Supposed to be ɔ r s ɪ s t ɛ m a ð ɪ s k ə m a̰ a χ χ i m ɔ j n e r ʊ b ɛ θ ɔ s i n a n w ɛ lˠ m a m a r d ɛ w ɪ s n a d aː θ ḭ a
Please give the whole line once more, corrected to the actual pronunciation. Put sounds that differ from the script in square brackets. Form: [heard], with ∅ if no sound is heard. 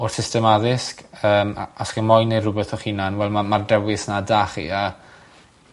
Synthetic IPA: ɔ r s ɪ s t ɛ m a ð ɪ s k [əː] m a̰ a [s] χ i m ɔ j n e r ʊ b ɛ θ ɔ [χ] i n a n w ɛ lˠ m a m a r d ɛ w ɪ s n a d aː [χ] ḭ a